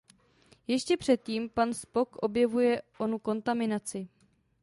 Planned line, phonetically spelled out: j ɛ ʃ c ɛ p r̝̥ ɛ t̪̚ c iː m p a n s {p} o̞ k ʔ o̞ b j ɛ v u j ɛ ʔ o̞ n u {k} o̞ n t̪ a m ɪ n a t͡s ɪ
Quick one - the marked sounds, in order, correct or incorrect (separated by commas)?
correct, correct